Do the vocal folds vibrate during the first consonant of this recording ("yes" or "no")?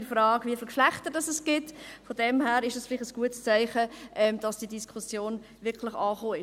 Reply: no